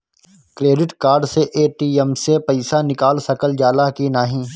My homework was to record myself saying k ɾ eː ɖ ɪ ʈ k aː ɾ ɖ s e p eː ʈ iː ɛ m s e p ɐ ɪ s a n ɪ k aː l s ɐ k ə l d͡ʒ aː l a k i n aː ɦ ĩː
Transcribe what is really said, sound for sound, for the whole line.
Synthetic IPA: k ɾ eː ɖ ɪ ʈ k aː ɾ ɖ s e ʔ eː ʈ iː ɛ m s e p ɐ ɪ s a n ɪ k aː l s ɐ k ə l d͡ʒ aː l a k i n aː ɦ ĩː